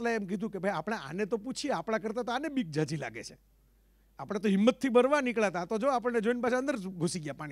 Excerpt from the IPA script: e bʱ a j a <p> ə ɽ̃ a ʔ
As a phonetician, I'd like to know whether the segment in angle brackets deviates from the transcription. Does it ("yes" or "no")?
no